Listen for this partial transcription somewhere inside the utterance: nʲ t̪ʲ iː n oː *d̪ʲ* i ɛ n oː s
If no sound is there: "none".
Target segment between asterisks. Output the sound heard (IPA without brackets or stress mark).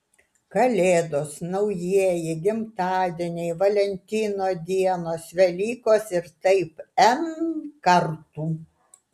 d̪ʲ